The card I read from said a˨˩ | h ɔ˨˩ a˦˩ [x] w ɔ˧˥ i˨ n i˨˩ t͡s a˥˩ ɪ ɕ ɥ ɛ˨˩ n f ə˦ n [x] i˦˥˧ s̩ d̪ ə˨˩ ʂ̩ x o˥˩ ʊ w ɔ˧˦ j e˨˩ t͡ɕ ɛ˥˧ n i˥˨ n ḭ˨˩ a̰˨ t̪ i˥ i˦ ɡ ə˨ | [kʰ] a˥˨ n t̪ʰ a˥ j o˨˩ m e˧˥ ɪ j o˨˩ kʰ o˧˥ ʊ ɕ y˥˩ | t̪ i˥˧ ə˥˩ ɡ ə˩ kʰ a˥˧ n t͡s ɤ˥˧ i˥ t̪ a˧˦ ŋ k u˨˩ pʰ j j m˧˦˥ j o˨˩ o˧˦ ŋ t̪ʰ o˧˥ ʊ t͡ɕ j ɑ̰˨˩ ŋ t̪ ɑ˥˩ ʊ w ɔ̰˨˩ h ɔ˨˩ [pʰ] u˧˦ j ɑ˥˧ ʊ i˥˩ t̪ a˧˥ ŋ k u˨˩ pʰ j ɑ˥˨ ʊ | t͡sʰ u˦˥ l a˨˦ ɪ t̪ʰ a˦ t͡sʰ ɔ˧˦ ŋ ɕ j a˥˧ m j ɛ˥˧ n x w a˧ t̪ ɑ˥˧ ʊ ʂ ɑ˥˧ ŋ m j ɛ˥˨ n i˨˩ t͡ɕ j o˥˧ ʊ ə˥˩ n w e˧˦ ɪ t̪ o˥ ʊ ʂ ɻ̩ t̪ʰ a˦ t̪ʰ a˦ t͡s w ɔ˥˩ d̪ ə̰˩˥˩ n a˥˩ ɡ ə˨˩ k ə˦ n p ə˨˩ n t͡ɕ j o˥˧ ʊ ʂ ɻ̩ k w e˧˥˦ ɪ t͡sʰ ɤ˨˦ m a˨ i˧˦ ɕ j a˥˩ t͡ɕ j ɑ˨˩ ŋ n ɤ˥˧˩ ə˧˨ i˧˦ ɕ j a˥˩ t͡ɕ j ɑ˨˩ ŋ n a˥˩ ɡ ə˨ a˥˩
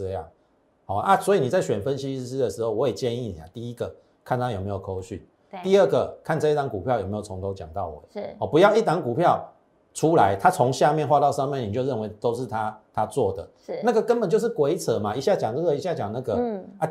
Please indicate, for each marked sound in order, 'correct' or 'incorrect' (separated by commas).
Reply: incorrect, incorrect, correct, incorrect